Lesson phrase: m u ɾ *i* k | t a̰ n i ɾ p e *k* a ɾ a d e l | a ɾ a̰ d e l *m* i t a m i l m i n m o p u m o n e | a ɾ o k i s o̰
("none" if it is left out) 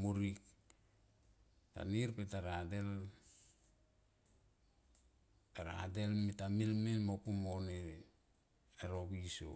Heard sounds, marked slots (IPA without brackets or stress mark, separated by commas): i, t, m